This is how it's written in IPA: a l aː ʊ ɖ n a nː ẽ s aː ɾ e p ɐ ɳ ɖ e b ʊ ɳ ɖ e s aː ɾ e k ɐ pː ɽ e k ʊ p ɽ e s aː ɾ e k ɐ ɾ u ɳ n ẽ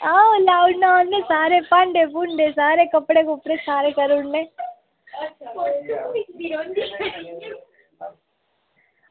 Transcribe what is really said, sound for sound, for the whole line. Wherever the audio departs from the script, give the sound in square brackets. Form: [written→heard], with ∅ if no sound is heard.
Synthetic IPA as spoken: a l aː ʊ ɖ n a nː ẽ s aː ɾ e p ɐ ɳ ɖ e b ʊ ɳ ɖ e s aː ɾ e k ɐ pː ɽ e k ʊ p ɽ e s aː ɾ e k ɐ ɾ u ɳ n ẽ